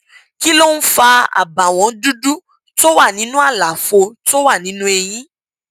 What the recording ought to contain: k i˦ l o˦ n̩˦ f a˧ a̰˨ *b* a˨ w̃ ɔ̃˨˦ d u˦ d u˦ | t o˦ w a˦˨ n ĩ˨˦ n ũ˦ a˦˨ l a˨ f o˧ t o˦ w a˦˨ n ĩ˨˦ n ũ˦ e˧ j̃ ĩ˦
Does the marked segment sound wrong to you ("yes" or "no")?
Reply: no